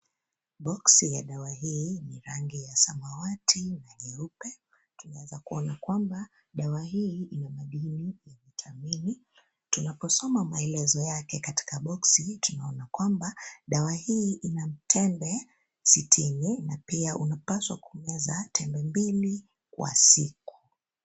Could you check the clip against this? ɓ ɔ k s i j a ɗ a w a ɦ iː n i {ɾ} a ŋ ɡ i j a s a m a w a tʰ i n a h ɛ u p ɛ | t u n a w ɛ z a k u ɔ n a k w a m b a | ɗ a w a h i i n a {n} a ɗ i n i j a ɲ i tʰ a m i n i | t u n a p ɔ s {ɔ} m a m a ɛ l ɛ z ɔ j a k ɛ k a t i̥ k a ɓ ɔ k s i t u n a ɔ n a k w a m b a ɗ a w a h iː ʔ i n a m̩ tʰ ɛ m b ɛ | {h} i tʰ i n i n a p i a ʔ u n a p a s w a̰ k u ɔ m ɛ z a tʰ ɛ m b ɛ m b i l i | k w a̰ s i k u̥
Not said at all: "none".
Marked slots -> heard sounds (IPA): ɾ, m, ɔ, s

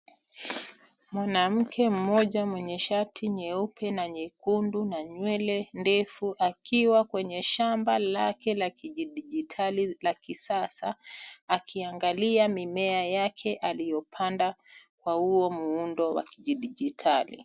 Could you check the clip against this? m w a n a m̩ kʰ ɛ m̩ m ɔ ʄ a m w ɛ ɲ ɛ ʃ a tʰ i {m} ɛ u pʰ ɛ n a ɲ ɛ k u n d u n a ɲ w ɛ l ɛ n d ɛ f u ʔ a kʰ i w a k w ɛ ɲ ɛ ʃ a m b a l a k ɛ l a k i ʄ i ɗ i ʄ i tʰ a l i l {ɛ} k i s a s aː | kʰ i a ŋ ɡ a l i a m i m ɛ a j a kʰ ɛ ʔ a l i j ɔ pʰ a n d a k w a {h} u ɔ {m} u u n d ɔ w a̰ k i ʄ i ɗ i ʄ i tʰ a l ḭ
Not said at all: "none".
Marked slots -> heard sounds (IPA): ɲ, a, h, m

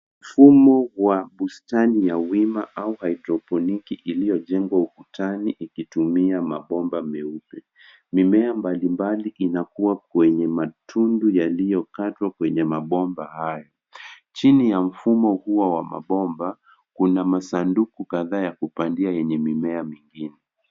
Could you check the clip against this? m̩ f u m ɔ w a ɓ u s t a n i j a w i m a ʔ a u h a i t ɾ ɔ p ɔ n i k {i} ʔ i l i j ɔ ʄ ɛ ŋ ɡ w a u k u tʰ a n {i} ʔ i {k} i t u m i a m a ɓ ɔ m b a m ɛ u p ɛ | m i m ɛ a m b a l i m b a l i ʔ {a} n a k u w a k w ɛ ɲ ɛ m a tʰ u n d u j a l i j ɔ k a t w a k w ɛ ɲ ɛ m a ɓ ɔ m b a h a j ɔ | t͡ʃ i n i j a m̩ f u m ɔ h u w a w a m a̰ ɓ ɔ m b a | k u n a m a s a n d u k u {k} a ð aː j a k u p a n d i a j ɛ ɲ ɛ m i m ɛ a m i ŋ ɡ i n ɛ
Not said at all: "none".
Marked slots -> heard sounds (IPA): i, i, k, i, k

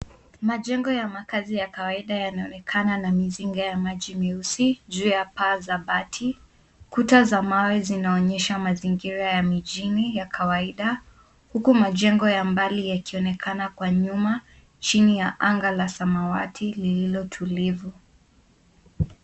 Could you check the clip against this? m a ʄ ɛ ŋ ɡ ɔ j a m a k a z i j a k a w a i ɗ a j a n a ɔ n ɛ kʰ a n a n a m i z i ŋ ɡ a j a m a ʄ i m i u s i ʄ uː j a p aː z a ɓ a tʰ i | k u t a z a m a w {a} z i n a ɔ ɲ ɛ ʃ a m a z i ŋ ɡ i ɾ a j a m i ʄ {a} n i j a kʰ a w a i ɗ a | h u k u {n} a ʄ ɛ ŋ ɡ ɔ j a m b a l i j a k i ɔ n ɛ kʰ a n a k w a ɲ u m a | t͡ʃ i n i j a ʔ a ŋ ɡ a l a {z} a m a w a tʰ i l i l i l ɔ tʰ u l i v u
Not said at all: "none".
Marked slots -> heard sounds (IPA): ɛ, i, m, s

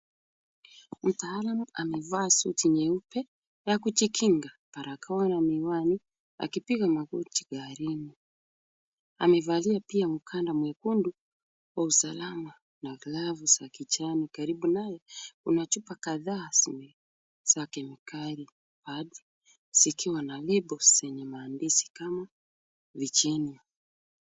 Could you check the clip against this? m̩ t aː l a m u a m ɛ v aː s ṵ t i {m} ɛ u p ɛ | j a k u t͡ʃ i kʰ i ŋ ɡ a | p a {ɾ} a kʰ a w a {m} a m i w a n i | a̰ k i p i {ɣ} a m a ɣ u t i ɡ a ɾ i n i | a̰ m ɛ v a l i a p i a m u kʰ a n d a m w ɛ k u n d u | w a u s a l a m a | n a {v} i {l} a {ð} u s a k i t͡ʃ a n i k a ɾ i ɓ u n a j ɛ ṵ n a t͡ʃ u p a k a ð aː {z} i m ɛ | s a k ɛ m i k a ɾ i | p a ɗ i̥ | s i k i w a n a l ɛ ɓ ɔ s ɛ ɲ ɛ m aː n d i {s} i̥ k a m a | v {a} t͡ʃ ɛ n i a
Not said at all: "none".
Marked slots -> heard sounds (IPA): ɲ, ɾ, n, ɣ, v, l, v, s, s, i

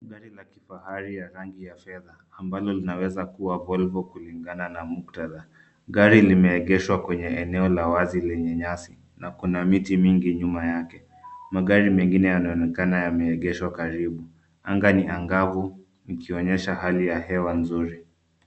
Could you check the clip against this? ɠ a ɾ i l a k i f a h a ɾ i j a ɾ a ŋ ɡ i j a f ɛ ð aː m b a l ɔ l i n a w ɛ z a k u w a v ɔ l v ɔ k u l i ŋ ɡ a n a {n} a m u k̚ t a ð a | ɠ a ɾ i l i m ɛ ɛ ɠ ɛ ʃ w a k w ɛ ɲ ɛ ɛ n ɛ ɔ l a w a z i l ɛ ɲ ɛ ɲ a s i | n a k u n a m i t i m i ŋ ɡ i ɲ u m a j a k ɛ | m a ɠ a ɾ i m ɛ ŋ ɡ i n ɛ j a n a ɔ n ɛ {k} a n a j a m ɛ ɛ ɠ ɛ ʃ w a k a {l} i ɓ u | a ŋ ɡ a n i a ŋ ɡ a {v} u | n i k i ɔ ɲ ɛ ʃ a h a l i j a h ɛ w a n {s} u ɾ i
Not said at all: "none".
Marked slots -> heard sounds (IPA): n, k, ɾ, v, z

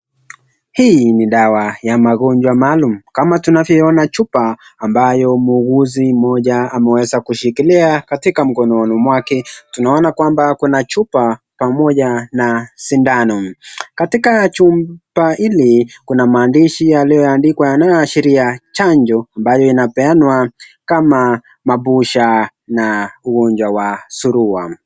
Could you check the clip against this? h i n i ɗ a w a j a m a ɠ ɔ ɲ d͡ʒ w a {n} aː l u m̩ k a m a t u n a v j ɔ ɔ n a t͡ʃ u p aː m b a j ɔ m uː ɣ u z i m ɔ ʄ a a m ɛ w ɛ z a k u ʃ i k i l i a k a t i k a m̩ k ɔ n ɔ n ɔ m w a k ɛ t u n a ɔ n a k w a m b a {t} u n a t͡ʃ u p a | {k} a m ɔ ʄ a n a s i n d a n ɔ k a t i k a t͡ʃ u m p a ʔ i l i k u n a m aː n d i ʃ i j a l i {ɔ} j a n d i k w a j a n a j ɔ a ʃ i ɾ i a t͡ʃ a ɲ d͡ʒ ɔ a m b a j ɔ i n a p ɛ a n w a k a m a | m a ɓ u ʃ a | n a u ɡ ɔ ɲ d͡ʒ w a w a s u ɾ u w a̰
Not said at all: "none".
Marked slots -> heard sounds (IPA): m, k, p, ɔ

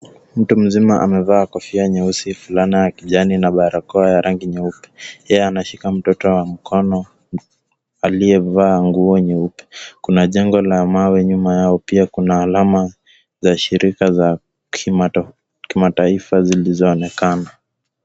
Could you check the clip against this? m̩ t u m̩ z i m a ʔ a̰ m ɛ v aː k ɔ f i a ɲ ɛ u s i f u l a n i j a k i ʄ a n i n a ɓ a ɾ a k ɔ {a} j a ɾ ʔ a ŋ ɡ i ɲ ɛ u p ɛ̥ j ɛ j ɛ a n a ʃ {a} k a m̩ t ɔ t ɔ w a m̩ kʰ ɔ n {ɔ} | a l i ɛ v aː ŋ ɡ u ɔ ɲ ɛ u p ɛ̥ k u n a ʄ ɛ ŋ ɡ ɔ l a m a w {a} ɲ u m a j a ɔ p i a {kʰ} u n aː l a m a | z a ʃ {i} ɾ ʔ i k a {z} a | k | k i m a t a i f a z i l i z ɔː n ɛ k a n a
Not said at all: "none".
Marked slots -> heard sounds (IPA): a, i, ɔ, ɛ, k, i, z

